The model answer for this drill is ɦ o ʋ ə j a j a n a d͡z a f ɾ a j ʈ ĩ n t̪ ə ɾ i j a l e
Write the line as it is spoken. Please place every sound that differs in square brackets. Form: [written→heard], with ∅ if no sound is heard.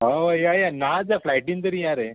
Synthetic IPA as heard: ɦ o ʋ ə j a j a n a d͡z a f [ɾ→l] a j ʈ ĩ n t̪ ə ɾ i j a [l→ɾ] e

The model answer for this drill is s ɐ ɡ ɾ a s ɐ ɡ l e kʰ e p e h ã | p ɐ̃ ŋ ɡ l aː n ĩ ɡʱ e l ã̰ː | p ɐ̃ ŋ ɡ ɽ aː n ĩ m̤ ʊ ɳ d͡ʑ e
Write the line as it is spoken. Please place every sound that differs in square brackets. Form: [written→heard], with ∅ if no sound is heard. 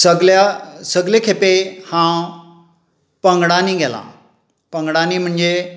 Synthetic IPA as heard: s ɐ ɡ [ɾ→l] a s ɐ ɡ l e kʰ e p e h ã | p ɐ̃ ŋ ɡ [l→ɽ] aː n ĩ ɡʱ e l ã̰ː | p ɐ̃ ŋ ɡ ɽ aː n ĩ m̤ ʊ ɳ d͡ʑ e

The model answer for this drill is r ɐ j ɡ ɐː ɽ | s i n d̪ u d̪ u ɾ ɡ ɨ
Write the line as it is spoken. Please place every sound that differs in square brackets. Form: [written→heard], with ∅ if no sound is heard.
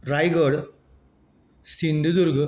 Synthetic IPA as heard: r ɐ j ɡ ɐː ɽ | s i n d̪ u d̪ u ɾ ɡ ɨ

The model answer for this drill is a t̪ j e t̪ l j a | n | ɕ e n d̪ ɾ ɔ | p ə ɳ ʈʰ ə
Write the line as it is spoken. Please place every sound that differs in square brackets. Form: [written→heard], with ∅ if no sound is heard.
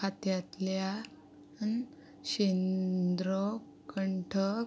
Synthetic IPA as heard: a t̪ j [e→a] t̪ l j a | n | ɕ e n d̪ ɾ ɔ | [p→k] ə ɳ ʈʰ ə

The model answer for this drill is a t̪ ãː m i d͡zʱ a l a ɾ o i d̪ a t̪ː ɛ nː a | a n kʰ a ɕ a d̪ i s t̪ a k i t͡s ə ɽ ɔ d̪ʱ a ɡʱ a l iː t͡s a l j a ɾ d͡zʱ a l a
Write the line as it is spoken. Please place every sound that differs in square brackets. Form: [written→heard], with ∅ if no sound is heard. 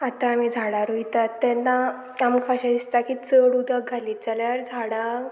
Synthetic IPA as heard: a t̪ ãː m i d͡zʱ a [l→ɽ] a ɾ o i [d̪→t̪] a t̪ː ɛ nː a | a [n→m] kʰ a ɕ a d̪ i s t̪ a k i t͡s ə ɽ [ɔ→u] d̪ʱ a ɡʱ a l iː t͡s a l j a ɾ d͡zʱ a [l→ɽ] a

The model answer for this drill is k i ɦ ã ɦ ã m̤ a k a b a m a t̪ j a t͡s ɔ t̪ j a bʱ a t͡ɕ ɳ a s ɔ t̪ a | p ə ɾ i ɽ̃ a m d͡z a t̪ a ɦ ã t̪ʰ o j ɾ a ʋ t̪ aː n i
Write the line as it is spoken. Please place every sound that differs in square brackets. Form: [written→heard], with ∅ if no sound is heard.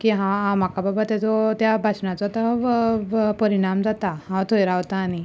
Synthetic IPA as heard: k i ɦ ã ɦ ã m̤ a k a b a [m→b] a t̪ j a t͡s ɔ t̪ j a bʱ a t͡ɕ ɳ a [s→t͡s] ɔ t̪ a | p ə ɾ i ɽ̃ a m d͡z a t̪ a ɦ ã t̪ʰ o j ɾ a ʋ t̪ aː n i

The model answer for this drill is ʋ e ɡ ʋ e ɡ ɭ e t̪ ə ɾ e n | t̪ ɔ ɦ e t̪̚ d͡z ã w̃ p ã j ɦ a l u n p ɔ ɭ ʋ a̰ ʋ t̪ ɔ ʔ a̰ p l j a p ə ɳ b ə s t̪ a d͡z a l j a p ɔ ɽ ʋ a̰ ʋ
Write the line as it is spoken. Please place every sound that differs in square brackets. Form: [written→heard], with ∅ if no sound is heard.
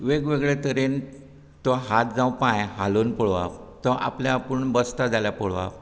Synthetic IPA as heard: ʋ e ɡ ʋ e ɡ ɭ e t̪ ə ɾ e n | t̪ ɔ ɦ [e→a] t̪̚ d͡z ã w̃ p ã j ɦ a l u n p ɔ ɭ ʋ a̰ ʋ t̪ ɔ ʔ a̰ p l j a p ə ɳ b ə s t̪ a d͡z a l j a p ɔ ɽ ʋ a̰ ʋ

